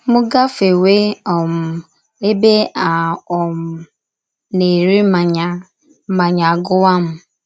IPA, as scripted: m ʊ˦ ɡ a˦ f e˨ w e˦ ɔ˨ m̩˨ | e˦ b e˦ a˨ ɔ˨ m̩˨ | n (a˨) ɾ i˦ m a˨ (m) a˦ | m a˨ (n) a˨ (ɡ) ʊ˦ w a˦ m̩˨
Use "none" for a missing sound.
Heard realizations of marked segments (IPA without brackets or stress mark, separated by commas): e˨, ɲ, ɲ, ɡ